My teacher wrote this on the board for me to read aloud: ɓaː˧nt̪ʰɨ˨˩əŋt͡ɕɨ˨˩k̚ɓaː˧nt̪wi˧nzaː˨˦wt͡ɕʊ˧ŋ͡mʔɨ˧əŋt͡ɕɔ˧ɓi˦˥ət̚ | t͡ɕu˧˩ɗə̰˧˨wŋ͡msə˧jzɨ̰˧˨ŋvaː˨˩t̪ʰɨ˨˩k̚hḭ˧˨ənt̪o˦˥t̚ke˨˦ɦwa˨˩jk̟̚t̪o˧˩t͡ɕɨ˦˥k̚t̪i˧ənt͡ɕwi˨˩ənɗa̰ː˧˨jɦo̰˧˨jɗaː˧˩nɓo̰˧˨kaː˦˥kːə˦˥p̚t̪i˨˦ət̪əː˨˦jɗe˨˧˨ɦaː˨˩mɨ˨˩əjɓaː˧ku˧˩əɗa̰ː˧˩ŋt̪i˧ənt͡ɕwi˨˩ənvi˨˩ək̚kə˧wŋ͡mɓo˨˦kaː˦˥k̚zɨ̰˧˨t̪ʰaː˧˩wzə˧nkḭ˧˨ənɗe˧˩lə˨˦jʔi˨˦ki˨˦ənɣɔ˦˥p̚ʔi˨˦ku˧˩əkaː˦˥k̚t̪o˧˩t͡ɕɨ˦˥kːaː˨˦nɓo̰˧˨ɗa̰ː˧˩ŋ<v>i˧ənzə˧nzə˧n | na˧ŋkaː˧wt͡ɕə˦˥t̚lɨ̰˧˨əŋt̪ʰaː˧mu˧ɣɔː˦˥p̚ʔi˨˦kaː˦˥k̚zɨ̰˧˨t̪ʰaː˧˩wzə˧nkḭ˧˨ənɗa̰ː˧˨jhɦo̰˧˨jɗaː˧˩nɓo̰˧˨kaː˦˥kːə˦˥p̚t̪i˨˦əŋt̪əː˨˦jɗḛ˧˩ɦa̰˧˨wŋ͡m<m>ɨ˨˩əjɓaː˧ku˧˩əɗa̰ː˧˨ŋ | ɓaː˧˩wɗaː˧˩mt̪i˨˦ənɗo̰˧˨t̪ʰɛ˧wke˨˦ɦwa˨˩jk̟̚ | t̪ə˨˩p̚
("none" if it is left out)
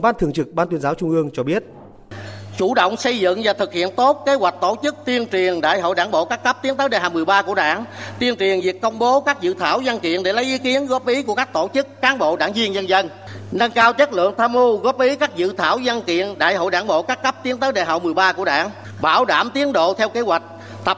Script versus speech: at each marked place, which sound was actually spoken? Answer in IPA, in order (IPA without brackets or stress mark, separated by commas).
z, m